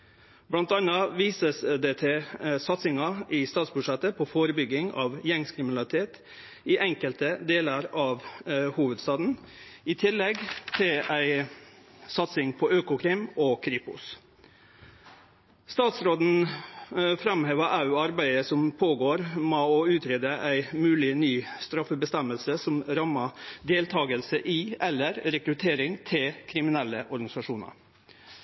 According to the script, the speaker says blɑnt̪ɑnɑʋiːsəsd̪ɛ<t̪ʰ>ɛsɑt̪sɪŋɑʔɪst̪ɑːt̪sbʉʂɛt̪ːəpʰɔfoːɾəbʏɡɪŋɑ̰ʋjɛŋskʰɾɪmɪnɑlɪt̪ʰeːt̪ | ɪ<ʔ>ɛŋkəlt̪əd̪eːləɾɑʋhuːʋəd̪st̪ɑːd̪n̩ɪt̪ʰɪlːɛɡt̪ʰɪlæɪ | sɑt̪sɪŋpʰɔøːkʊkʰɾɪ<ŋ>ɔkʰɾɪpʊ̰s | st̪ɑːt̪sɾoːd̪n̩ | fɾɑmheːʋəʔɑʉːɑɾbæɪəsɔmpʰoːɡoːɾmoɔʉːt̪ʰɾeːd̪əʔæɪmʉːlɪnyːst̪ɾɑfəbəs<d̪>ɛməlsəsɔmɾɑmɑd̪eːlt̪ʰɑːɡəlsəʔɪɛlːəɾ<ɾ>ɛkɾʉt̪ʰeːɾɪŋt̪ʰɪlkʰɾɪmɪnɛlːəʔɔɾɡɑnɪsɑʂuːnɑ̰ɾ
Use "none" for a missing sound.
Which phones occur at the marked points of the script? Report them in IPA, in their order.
t̪ʰ, ʔ, m, t̪, ɾ

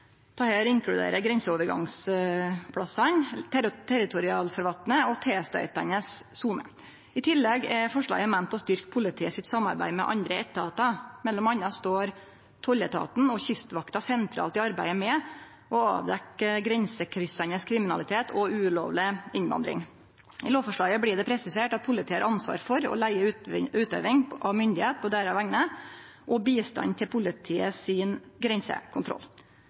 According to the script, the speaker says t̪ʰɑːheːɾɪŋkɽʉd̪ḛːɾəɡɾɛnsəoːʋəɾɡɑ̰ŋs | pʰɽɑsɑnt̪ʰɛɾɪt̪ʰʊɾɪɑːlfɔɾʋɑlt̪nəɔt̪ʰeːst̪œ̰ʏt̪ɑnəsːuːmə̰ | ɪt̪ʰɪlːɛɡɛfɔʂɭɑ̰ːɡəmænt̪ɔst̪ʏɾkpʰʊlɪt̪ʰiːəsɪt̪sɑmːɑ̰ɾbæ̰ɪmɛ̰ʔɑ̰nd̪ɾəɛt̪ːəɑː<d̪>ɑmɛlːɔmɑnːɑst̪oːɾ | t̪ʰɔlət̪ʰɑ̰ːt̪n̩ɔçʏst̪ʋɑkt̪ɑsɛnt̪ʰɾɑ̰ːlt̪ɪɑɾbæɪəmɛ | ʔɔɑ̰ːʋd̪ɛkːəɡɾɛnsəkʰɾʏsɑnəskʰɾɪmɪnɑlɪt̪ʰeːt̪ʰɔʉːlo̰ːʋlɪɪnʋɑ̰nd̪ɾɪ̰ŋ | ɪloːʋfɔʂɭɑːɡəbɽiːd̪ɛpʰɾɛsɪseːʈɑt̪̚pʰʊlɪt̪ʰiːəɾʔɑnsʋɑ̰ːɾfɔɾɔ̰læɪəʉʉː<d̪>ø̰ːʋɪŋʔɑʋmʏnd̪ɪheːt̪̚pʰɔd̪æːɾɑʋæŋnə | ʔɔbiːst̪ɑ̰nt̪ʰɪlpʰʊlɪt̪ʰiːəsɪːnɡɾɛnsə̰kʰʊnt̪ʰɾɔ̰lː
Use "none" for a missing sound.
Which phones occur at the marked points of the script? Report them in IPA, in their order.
t̪, t̪

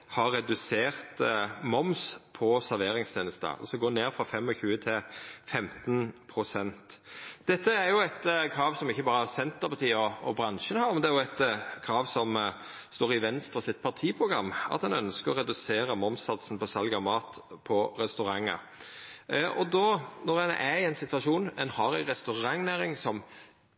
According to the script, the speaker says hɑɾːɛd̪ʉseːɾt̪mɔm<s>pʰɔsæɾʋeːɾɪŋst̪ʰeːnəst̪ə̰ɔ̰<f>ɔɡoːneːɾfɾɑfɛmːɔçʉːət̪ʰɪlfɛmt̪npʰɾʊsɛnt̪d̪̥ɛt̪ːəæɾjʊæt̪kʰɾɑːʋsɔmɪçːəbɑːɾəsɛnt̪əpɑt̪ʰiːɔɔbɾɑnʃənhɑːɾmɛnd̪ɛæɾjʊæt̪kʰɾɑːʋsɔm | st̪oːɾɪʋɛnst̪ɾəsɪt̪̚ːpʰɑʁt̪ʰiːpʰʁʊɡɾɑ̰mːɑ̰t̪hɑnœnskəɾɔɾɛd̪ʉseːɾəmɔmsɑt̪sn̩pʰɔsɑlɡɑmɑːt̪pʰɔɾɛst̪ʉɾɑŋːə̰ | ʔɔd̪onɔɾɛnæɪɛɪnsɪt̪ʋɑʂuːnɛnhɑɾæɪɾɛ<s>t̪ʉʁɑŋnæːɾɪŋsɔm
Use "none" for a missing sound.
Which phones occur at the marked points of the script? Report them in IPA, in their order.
s, s, s

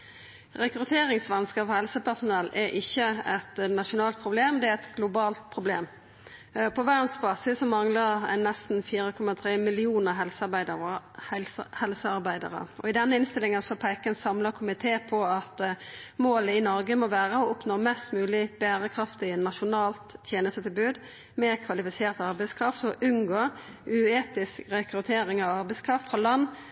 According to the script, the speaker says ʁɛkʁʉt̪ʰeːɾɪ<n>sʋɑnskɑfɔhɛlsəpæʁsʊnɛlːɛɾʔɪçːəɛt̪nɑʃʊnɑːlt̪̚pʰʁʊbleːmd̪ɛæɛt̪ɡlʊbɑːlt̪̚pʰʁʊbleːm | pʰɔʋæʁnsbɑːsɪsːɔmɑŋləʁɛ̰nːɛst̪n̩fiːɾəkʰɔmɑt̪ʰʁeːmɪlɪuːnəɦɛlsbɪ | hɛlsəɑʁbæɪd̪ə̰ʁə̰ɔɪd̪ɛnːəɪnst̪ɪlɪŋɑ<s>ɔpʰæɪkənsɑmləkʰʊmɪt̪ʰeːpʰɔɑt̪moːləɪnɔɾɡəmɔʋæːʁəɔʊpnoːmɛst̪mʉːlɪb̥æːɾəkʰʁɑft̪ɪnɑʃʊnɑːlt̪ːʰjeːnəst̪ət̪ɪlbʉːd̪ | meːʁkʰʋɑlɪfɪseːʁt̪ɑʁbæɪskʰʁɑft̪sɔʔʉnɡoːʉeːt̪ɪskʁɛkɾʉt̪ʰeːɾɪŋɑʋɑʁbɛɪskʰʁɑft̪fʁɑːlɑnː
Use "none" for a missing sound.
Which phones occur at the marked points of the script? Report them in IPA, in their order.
ŋ, s

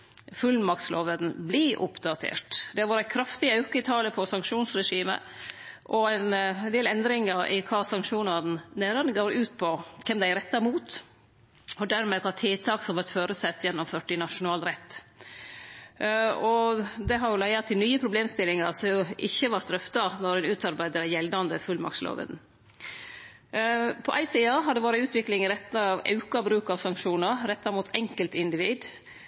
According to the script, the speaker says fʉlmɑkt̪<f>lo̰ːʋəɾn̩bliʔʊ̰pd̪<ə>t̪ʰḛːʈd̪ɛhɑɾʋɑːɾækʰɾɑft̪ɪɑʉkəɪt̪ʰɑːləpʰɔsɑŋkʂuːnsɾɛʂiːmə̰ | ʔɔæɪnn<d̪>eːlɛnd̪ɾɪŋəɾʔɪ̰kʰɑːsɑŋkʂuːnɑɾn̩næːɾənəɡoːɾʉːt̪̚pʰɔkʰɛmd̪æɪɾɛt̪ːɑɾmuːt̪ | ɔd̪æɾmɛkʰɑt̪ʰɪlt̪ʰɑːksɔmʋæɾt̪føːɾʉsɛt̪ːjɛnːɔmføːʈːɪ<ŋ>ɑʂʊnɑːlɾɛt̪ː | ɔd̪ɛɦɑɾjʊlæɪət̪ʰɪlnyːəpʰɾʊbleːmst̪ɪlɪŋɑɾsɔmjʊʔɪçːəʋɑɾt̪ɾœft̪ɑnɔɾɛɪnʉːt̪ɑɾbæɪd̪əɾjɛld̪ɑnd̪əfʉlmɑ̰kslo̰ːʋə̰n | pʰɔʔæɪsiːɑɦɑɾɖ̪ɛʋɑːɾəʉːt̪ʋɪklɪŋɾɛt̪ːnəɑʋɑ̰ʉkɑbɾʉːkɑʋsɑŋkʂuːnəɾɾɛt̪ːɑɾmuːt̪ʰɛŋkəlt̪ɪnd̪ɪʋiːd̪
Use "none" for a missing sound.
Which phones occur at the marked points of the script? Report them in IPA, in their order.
s, ɑ, d̪, n

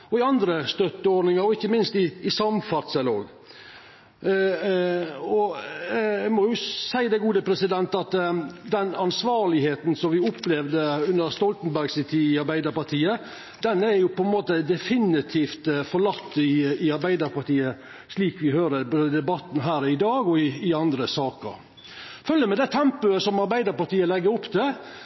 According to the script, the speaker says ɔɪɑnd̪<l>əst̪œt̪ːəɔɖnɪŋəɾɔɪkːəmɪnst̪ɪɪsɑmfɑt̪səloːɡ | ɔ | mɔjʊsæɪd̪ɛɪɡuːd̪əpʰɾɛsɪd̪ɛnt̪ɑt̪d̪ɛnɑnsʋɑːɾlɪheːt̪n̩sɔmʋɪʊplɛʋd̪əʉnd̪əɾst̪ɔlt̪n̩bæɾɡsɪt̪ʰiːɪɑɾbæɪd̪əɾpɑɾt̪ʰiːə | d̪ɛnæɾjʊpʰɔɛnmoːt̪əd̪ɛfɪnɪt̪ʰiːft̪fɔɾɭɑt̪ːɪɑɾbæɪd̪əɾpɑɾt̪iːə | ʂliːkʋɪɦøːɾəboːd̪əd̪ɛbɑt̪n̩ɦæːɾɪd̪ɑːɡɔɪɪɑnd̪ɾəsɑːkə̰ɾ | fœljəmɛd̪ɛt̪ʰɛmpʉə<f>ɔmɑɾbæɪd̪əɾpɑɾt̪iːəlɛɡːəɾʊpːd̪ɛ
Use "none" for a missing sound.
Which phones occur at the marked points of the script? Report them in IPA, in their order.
ɾ, s

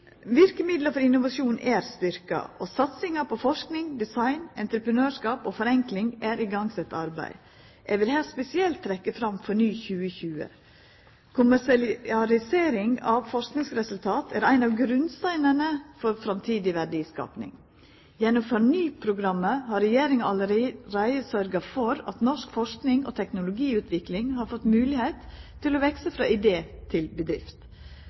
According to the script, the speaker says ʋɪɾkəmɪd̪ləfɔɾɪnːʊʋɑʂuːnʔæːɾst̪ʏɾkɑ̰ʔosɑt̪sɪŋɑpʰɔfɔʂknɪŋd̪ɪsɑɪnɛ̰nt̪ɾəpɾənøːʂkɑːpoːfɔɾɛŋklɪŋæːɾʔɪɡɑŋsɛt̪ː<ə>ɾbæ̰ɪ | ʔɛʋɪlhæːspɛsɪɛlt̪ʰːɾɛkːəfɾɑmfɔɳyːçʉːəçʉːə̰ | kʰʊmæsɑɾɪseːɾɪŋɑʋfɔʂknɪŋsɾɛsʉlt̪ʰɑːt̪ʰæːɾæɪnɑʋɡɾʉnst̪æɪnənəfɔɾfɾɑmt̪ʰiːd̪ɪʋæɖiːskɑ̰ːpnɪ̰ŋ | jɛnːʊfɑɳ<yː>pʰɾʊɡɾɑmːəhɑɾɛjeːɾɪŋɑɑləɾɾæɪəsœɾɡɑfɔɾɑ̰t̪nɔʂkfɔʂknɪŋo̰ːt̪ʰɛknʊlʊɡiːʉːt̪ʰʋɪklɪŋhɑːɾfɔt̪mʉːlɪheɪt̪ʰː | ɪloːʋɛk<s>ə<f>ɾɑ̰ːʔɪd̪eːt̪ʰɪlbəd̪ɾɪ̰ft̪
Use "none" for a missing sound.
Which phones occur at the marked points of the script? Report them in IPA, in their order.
ɑ, yː, s, f

